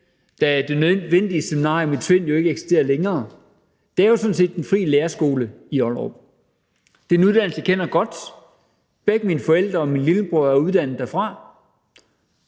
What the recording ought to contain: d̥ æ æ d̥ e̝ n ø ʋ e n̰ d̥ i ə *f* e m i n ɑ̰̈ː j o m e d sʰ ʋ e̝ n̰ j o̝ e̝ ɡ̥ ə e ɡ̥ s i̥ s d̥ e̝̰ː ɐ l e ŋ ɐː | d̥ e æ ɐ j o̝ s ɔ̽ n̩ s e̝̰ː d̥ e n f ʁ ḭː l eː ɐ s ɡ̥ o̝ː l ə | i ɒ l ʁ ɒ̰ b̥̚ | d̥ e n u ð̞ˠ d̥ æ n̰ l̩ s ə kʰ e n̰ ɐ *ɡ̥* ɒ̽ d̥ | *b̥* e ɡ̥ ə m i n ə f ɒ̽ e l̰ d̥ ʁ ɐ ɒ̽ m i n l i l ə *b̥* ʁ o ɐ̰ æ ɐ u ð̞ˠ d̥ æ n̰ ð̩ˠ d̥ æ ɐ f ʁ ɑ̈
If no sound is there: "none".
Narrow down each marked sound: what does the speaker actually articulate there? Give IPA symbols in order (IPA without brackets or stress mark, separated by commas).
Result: s, ɡ̥, b̥, b̥